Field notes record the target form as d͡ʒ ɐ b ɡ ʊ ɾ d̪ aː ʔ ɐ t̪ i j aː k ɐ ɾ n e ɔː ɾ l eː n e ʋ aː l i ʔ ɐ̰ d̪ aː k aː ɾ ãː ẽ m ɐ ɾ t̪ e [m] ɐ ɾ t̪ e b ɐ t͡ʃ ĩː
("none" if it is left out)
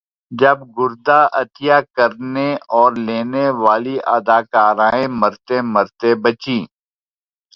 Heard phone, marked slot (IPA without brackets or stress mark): m